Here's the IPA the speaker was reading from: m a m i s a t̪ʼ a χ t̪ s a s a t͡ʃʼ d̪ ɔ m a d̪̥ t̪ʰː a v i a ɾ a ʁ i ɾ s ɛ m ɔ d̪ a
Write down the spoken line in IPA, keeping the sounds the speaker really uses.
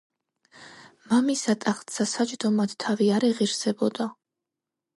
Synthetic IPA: m a m i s a t̪ʼ a χ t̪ s a s a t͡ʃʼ d̪ ɔ m a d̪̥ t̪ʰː a v i a ɾ ɛ ʁ i ɾ s ɛ b ɔ d̪ a